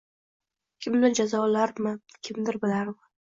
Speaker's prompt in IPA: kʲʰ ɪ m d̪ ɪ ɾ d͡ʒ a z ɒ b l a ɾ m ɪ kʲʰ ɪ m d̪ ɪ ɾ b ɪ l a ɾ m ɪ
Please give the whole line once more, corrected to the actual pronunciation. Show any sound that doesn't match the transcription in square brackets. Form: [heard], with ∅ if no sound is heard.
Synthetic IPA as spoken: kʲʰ ɪ m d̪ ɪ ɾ d͡ʒ a z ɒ [∅] l a ɾ m ɪ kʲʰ ɪ m d̪ ɪ ɾ b ɪ l a ɾ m ɪ